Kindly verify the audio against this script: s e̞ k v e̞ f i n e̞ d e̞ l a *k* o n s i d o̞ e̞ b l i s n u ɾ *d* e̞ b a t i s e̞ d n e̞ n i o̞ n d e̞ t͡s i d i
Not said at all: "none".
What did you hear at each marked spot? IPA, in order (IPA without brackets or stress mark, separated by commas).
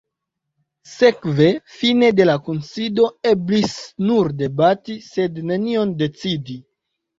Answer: k, d